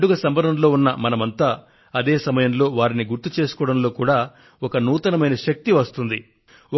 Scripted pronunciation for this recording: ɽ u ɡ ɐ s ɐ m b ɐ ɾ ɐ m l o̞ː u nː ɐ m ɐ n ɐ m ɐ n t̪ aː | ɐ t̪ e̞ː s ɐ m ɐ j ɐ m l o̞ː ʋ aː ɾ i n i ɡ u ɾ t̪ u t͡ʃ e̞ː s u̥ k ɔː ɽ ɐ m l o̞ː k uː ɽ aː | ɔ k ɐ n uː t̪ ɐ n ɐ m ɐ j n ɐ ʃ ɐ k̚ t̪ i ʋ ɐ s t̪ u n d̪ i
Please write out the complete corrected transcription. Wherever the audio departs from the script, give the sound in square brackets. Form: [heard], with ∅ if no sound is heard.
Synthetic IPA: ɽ u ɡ ɐ s ɐ m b ɐ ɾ ɐ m l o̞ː u nː ɐ m ɐ n ɐ m ɐ n t̪ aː | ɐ [d̪] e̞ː s ɐ m ɐ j ɐ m l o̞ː ʋ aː ɾ i n i ɡ u ɾ t̪ u t͡ʃ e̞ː s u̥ k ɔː ɽ ɐ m l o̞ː k uː ɽ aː | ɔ k ɐ n uː t̪ ɐ n ɐ m ɐ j n ɐ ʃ ɐ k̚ t̪ i ʋ ɐ s t̪ u n d̪ i

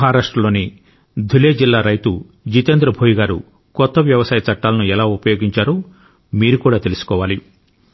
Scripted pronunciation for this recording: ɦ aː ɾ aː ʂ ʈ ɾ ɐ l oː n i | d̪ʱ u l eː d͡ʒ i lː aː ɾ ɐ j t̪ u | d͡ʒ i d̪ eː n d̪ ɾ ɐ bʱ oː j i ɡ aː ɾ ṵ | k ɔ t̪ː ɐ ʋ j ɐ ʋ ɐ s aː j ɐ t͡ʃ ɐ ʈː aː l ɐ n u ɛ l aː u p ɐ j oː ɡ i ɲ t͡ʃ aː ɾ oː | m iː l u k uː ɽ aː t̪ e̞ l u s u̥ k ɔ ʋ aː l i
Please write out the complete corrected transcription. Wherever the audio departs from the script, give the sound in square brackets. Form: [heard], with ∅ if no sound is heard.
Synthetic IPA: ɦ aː ɾ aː ʂ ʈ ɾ ɐ l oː n i | d̪ʱ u l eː d͡ʒ i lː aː ɾ ɐ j t̪ u | d͡ʒ i [t̪] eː n d̪ ɾ ɐ bʱ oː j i ɡ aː ɾ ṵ | k ɔ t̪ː ɐ ʋ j ɐ ʋ ɐ s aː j ɐ t͡ʃ ɐ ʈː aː l ɐ n u ɛ l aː u p ɐ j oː ɡ i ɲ t͡ʃ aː ɾ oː | m iː [ɾ] u k uː ɽ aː t̪ e̞ l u s u̥ k [ɔː] ʋ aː l i

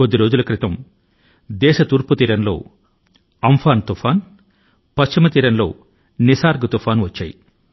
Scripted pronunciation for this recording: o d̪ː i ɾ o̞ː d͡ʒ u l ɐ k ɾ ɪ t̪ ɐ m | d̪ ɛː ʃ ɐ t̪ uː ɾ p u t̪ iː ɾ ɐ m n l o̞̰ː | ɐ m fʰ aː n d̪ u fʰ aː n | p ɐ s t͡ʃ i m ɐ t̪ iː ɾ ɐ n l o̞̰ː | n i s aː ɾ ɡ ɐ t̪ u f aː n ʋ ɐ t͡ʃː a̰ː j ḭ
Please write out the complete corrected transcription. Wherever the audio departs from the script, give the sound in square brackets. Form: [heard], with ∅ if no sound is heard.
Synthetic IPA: o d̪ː i ɾ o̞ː d͡ʒ u l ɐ k ɾ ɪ t̪ ɐ m | d̪ ɛː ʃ ɐ t̪ uː ɾ p u t̪ iː ɾ ɐ [∅] n l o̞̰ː | ɐ m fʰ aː n [t̪] u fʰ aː n | p ɐ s t͡ʃ i m ɐ t̪ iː ɾ ɐ n l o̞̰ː | n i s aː ɾ ɡ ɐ t̪ u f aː n ʋ ɐ t͡ʃː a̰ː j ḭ

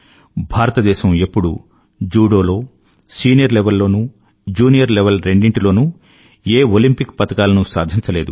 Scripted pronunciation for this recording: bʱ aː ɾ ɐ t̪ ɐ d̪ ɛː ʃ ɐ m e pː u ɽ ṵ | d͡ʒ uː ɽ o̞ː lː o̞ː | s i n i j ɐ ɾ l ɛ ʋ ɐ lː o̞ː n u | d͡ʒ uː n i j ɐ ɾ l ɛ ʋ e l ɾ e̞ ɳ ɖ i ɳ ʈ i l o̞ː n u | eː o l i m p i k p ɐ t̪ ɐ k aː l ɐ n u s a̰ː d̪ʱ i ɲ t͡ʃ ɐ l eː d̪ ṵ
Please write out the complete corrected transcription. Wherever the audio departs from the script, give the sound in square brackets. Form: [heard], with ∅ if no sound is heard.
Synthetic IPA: bʱ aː ɾ ɐ t̪ ɐ d̪ ɛː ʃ ɐ m e pː u ɽ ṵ | d͡ʒ uː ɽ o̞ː [l] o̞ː | s [iː] n i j ɐ ɾ l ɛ ʋ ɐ lː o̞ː n u | d͡ʒ uː n i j ɐ ɾ l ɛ ʋ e l ɾ e̞ ɳ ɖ i ɳ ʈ i l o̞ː n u | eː o l i m p i k p ɐ t̪ ɐ k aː l ɐ n u s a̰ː d̪ʱ i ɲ t͡ʃ ɐ l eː d̪ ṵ

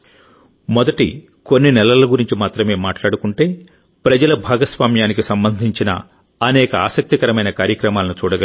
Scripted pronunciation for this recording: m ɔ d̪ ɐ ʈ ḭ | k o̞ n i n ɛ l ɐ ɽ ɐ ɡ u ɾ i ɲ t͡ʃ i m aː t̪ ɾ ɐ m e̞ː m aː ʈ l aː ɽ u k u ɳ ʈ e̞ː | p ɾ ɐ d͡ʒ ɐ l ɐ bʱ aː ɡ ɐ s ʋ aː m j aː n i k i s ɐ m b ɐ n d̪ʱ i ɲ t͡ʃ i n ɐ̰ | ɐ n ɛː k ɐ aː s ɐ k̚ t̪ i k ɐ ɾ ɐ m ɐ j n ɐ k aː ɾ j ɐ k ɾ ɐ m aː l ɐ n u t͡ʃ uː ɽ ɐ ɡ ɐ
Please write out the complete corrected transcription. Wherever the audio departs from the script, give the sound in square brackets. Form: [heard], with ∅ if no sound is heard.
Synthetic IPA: m ɔ d̪ ɐ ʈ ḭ | k o̞ [nː] i n ɛ l ɐ [l] ɐ ɡ u ɾ i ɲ t͡ʃ i m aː t̪ ɾ ɐ m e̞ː m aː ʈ l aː ɽ u k u ɳ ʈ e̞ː | p ɾ ɐ d͡ʒ ɐ l ɐ bʱ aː ɡ ɐ s ʋ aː m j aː n i k i s ɐ m b ɐ n d̪ʱ i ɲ t͡ʃ i n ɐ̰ | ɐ n ɛː k ɐ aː s ɐ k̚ t̪ i k ɐ ɾ ɐ m ɐ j n ɐ k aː ɾ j ɐ k ɾ ɐ m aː l ɐ n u t͡ʃ uː ɽ ɐ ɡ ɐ

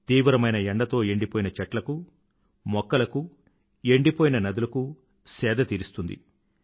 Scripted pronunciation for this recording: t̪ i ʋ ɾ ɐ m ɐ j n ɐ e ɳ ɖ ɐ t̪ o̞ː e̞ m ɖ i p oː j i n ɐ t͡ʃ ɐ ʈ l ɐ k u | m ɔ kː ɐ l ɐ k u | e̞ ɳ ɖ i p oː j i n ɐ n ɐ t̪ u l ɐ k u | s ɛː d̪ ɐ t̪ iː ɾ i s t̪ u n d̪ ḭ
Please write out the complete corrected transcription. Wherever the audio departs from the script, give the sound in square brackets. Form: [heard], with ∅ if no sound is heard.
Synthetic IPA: t̪ [iː] ʋ ɾ ɐ m ɐ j n ɐ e ɳ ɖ ɐ t̪ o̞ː e̞ [ɳ] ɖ i p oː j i n ɐ t͡ʃ ɐ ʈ l ɐ k u | m ɔ kː ɐ l ɐ k u | e̞ ɳ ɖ i p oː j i n ɐ n ɐ [d̪] u l ɐ k u | s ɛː d̪ ɐ t̪ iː ɾ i s t̪ u n d̪ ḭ

